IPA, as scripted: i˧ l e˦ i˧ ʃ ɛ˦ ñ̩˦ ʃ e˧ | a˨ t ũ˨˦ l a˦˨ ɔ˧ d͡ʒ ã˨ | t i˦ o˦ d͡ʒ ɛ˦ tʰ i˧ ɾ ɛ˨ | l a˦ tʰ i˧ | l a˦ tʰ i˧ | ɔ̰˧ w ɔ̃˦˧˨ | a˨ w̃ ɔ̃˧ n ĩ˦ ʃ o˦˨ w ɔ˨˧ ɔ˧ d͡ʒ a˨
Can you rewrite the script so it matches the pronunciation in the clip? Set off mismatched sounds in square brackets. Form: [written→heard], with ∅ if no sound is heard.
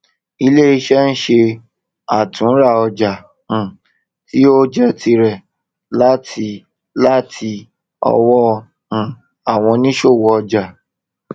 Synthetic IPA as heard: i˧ l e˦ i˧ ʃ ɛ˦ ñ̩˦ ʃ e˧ | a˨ t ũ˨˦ [l→ɾ] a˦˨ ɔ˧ d͡ʒ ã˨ | t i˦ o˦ d͡ʒ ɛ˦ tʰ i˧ ɾ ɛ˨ | l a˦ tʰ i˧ | l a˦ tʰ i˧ | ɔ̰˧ w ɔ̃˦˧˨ | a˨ w̃ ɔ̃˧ n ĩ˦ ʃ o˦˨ w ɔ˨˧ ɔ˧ d͡ʒ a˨